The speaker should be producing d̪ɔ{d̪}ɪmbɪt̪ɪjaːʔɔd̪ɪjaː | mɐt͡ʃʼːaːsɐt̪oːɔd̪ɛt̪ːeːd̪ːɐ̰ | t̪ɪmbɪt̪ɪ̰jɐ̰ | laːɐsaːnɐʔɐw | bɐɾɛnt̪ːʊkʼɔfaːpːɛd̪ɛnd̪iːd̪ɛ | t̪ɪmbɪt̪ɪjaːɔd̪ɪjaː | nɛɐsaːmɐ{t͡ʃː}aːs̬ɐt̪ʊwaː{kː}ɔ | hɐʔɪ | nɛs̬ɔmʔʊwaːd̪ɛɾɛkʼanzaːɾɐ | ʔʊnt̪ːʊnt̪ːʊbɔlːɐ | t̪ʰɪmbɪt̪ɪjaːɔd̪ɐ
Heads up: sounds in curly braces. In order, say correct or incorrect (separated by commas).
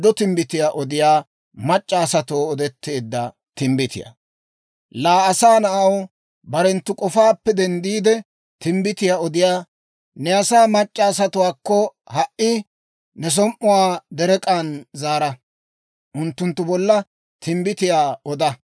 incorrect, incorrect, correct